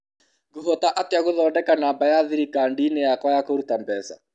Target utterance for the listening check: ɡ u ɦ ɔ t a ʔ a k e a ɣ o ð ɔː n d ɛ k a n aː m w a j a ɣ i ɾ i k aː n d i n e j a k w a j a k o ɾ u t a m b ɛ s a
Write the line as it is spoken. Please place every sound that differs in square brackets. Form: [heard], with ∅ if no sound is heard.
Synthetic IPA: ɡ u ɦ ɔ t a ʔ a [t] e a ɣ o ð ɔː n d ɛ k a n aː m [b] a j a [ð] i ɾ i k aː n d i n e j a k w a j a k o ɾ u t a m b ɛ s a